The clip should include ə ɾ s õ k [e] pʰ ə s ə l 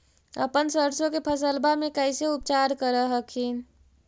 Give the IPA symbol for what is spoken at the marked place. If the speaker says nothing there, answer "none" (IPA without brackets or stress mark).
e